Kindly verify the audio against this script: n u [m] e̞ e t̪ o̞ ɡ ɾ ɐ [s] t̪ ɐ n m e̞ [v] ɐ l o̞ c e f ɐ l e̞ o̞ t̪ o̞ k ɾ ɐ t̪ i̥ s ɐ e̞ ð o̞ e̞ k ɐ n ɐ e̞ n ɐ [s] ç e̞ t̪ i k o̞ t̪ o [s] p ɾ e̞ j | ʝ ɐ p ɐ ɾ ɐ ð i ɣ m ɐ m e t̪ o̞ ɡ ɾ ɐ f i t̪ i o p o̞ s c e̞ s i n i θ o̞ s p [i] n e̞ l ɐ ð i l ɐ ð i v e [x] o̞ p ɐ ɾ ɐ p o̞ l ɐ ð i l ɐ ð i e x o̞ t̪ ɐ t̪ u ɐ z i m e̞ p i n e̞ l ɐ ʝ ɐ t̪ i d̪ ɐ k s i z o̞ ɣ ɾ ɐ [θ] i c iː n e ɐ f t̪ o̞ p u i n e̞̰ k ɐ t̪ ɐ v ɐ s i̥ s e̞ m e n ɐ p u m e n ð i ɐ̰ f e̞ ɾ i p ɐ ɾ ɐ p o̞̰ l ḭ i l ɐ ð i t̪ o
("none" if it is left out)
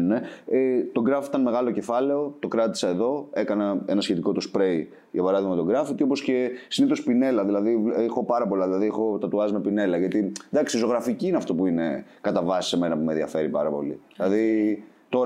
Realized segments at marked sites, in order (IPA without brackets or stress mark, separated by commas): n, f, ɣ, s, s, i, x, f